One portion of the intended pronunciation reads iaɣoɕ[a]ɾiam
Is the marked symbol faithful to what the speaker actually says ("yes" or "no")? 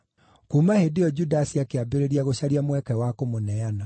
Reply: yes